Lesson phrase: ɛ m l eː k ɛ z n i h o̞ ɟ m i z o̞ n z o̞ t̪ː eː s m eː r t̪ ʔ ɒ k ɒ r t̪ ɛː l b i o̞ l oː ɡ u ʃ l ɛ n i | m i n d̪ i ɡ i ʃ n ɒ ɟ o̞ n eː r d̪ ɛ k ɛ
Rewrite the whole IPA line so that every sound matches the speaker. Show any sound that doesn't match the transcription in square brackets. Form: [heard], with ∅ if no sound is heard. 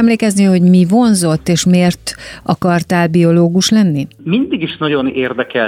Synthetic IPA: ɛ m l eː k ɛ z n i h o̞ ɟ m i [v] o̞ n z o̞ t̪ː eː [ʃ] m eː r t̪ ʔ ɒ k ɒ r t̪ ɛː l b i o̞ l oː ɡ u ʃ l ɛ [nː] i | m i n d̪ i ɡ i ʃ n ɒ ɟ o̞ n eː r d̪ ɛ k ɛ